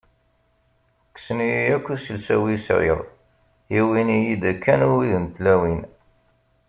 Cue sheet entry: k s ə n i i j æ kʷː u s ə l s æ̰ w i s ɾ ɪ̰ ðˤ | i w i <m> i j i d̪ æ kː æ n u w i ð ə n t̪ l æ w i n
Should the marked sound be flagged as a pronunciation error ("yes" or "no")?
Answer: yes